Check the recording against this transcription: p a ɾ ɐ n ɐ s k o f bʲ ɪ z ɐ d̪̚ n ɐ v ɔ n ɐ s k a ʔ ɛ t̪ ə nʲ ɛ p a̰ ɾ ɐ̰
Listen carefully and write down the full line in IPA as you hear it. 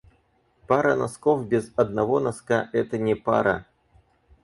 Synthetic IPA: p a ɾ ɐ n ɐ s k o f bʲ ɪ z ɐ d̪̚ n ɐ v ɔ n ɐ s k a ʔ ɛ t̪ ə nʲ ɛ p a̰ ɾ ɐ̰